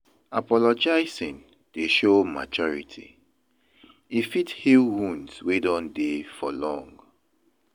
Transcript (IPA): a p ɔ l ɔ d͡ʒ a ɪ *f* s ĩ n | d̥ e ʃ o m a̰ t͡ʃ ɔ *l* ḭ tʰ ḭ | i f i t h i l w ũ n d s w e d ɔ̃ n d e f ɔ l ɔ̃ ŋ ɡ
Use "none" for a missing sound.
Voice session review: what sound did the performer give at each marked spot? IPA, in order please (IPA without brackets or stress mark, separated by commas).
none, ɹ